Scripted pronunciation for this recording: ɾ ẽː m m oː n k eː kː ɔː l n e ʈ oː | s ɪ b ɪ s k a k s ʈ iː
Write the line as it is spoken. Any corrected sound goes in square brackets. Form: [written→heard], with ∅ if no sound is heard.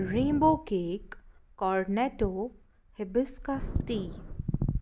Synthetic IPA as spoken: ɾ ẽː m [m→b] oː [n→∅] k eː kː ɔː [l→ɾ] n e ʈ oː | [s→h] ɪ b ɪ s k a [k→∅] s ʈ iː